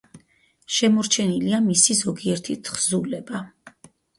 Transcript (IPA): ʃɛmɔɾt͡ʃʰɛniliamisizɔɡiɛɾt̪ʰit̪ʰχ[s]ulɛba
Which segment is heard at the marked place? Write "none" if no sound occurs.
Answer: z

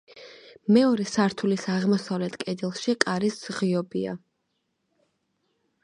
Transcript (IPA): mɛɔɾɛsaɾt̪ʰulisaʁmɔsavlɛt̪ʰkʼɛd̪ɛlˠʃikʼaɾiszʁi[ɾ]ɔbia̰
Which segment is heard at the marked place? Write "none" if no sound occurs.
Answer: none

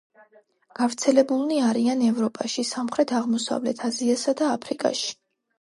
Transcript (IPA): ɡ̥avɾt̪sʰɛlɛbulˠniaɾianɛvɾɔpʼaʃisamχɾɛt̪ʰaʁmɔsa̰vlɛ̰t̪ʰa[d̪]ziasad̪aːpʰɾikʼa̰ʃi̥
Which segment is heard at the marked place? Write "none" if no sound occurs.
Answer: none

